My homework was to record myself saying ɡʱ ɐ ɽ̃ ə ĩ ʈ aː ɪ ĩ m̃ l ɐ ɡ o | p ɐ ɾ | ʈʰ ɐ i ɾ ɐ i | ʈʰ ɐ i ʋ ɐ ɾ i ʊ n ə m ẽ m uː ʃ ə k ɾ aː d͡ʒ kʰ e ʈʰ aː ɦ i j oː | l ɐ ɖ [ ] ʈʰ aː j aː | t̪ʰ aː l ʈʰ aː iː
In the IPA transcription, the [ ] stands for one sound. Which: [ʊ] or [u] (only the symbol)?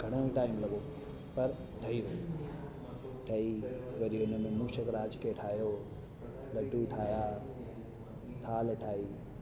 u